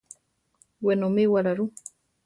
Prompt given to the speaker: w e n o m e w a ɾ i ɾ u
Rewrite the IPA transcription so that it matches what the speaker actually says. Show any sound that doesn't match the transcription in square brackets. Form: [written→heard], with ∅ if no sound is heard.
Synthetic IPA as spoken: w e n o m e w a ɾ [i→a] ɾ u